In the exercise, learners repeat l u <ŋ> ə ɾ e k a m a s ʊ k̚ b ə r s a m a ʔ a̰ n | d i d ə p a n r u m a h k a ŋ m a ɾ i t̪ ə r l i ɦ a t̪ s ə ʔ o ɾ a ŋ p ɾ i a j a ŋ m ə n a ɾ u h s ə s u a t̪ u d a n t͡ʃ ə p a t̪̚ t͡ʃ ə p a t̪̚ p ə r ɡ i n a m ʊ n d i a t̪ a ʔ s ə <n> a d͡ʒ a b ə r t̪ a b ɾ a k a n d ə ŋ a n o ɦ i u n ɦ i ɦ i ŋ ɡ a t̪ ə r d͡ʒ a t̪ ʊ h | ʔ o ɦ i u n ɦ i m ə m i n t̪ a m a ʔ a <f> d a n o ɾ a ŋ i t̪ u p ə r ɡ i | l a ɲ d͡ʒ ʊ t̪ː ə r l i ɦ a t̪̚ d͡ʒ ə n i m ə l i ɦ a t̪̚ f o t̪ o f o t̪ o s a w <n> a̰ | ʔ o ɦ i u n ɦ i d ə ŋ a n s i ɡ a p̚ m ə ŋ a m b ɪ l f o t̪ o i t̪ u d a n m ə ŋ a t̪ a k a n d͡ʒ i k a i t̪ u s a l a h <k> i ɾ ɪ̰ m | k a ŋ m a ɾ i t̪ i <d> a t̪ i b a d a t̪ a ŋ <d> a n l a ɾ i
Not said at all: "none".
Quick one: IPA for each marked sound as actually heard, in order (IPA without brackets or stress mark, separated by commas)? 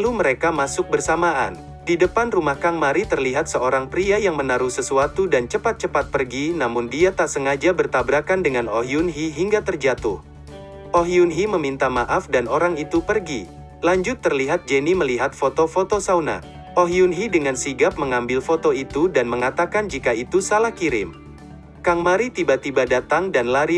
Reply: m, ŋ, f, n, k, b, d